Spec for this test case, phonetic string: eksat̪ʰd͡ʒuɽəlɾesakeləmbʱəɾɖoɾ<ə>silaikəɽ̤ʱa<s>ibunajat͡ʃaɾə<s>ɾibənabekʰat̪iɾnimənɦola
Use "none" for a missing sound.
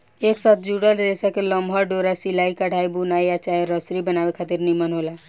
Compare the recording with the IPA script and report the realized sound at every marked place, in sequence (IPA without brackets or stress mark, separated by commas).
a, none, s